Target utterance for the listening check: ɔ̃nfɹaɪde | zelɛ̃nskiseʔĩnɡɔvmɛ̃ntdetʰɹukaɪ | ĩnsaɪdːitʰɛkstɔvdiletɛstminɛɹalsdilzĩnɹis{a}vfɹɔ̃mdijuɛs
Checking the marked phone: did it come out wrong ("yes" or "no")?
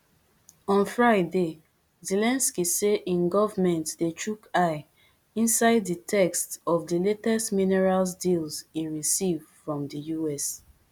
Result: yes